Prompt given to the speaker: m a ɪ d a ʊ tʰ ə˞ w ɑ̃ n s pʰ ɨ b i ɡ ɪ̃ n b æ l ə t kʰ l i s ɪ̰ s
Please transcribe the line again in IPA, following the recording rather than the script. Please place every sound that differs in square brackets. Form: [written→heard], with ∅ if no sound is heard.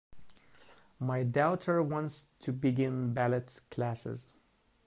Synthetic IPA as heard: m a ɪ d a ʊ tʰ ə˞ w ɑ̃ n s [pʰ→tʰ] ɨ b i ɡ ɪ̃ n b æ l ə t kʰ l [i→æ] s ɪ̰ [s→z]